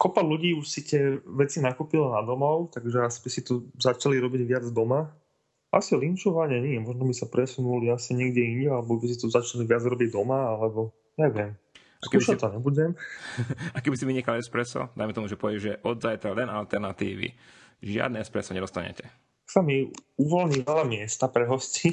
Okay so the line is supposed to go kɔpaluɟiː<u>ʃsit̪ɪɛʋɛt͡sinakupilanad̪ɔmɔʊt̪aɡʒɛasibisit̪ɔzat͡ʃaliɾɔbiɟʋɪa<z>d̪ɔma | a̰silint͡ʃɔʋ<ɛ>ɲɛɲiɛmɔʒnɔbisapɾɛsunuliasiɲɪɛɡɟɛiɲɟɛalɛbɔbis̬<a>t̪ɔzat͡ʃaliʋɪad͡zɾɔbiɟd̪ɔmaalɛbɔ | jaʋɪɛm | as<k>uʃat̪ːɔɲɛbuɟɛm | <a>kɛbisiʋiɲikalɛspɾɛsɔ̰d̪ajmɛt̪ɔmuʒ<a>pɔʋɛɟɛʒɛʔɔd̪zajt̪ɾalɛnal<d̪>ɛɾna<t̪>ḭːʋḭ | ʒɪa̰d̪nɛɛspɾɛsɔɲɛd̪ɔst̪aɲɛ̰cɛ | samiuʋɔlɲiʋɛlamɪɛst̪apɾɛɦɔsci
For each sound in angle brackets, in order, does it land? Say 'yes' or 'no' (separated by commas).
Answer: yes, no, no, no, yes, yes, no, no, yes